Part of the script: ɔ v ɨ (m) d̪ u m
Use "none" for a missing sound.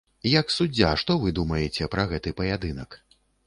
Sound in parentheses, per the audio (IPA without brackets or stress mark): none